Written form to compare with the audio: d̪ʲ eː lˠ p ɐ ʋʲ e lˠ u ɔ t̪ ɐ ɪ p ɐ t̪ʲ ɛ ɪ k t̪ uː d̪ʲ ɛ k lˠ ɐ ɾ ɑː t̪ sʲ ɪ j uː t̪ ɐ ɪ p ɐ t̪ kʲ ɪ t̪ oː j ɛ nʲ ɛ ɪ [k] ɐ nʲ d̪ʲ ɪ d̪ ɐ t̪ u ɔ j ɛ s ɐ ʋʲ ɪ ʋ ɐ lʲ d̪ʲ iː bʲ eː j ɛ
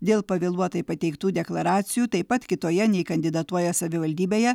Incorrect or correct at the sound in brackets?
correct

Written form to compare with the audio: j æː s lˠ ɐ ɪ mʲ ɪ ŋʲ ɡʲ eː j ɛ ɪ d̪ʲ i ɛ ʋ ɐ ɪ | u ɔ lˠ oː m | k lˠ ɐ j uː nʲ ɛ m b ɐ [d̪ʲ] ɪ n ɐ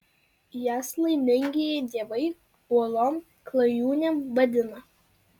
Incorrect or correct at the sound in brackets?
correct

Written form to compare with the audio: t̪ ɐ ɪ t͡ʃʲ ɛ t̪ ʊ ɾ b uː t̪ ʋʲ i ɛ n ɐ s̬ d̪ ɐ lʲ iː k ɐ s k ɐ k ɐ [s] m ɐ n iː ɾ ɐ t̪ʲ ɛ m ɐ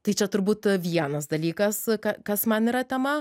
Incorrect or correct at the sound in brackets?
correct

